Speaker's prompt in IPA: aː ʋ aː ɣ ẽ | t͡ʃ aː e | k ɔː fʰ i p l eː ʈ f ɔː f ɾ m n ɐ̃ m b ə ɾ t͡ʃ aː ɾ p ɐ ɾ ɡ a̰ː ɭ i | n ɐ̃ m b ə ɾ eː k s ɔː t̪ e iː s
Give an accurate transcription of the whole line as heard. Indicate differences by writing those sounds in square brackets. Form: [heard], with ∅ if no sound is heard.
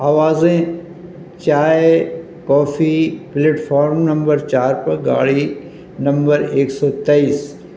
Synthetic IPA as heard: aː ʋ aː [z] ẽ | t͡ʃ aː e | k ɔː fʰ i p l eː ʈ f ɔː [∅] ɾ m n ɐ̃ m b ə ɾ t͡ʃ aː ɾ p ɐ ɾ ɡ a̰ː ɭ i | n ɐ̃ m b ə ɾ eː k s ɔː t̪ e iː s